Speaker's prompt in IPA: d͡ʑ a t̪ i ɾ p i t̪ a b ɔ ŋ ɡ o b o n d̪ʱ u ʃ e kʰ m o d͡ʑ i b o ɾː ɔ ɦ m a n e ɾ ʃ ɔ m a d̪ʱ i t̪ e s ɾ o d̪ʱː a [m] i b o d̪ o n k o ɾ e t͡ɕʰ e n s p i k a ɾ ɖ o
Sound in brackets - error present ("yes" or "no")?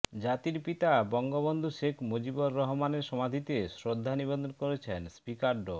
yes